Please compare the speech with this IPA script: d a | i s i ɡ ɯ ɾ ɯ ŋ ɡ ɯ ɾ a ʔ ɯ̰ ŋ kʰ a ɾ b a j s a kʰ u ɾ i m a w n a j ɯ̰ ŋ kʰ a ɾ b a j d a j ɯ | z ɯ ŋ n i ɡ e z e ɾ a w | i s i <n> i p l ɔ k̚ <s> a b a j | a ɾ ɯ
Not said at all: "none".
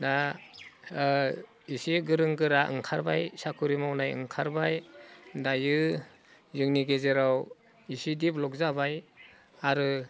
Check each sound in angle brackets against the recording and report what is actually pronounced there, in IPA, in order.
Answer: d, z

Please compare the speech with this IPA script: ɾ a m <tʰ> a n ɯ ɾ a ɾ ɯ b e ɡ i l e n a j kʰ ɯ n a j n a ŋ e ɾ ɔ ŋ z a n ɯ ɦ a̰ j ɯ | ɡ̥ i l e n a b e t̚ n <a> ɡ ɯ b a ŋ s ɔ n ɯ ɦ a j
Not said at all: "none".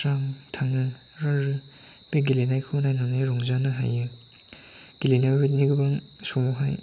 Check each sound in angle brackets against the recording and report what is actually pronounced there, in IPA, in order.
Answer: tʰ, i

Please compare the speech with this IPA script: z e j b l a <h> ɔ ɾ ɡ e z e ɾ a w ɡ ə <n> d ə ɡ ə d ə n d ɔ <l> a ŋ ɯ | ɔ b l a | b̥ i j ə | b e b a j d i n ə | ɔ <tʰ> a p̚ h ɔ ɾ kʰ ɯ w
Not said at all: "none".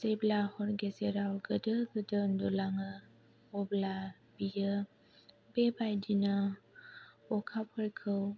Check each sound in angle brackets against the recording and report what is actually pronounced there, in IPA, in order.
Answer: h, none, l, kʰ

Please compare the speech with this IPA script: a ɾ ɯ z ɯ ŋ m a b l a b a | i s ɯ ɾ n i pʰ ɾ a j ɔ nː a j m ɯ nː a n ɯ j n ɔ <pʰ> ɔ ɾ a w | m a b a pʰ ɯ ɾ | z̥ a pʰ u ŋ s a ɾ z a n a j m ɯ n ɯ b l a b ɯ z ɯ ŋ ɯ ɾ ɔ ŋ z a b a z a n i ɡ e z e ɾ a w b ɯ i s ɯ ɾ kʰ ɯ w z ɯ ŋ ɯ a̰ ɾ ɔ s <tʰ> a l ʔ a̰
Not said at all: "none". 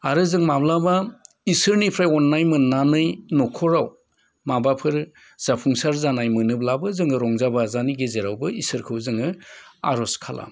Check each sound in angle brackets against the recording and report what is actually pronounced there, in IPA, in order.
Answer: kʰ, kʰ

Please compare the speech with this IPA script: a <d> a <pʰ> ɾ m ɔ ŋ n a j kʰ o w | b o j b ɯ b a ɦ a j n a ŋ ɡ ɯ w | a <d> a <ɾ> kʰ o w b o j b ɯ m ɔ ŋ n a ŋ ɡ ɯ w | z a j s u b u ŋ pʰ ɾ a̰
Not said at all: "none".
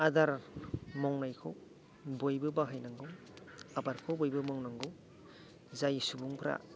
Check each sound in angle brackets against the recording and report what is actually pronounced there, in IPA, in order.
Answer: d, none, b, ɾ

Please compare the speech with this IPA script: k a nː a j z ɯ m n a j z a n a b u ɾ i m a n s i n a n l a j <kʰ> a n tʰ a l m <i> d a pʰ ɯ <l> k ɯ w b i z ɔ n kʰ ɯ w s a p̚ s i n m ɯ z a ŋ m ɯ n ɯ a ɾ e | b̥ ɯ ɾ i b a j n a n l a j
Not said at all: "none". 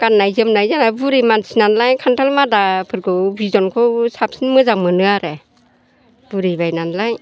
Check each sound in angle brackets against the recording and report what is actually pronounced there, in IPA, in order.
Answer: kʰ, a, ɾ

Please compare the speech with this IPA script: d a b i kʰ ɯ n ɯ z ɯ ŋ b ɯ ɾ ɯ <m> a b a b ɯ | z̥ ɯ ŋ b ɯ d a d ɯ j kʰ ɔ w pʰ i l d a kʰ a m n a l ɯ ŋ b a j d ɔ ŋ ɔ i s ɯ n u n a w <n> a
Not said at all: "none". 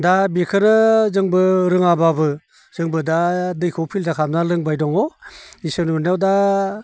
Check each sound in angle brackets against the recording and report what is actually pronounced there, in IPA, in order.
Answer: ŋ, d

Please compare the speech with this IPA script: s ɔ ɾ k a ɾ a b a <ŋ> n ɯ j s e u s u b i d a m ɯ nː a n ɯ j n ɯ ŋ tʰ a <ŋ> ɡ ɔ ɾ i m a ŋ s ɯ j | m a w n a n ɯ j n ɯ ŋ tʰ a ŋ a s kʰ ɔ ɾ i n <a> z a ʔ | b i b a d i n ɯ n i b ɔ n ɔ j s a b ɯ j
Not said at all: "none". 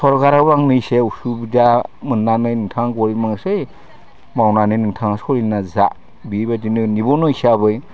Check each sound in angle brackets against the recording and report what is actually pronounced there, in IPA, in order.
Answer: ŋ, ŋ, a

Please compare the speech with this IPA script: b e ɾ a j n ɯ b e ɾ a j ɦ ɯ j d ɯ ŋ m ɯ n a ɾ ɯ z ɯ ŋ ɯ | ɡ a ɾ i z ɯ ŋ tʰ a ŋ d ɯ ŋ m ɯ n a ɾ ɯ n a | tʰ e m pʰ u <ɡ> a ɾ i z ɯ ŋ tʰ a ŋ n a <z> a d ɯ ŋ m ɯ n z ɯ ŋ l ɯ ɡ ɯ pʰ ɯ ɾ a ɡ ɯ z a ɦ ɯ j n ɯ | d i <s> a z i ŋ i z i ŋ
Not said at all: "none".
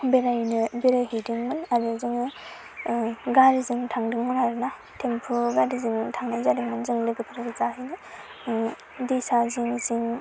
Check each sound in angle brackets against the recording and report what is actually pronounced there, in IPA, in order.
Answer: ɡ, z, s

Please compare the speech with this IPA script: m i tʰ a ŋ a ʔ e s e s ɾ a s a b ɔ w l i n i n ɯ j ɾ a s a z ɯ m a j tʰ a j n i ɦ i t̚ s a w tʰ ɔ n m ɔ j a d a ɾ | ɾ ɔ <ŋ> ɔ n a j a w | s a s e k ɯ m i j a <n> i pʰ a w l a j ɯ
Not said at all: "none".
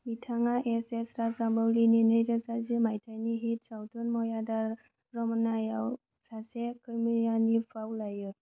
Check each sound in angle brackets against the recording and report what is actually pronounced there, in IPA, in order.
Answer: m, n

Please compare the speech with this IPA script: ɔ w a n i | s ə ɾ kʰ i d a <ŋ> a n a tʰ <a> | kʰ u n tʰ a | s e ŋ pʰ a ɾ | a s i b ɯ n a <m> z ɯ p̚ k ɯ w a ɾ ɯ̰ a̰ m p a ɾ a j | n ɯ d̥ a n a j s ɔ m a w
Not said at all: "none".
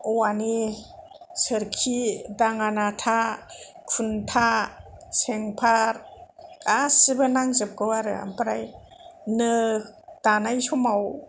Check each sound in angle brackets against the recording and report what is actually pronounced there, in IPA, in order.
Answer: ŋ, a, ŋ

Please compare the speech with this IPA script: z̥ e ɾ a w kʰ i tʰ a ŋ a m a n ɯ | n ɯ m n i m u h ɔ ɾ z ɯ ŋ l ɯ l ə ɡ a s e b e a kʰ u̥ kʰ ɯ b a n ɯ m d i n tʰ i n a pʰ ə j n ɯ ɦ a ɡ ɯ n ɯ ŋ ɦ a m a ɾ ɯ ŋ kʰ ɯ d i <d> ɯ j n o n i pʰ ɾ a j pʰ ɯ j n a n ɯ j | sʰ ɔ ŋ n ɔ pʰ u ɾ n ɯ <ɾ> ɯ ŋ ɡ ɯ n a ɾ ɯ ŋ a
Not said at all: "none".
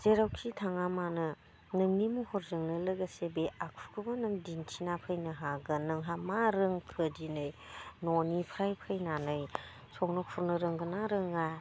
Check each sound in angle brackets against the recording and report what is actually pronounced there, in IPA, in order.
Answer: n, ɾ

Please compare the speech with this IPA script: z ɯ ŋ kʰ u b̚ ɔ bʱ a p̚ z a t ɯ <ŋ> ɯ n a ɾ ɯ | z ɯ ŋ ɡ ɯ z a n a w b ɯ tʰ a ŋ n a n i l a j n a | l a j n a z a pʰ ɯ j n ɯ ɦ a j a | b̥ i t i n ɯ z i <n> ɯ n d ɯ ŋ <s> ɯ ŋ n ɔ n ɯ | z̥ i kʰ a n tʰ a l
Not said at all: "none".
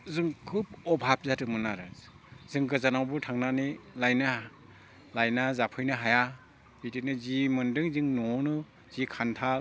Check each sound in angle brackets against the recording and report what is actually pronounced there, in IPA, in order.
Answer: m, m, z

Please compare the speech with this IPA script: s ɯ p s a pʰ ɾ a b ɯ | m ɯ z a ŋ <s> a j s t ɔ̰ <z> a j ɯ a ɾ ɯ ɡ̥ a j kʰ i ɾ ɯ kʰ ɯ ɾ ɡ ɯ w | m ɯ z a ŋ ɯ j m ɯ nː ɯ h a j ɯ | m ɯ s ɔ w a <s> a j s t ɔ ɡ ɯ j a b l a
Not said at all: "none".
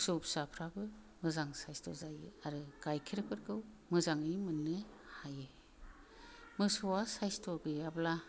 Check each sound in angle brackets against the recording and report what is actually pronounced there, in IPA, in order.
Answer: s, z, s

